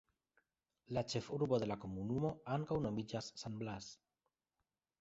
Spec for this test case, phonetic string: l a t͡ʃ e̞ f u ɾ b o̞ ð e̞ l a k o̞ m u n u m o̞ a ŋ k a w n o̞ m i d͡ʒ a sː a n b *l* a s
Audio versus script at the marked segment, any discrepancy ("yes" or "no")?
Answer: no